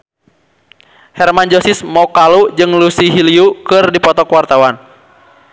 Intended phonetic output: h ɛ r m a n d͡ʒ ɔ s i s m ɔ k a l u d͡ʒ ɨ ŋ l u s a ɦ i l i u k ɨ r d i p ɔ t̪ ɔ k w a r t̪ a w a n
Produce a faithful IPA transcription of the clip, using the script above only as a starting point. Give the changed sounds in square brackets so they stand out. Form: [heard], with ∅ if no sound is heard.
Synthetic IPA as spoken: h ɛ r m a n d͡ʒ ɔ s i s m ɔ k a l u d͡ʒ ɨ ŋ l u s [i] ɦ i l i u k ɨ r d i p ɔ t̪ ɔ k w a r t̪ a w a n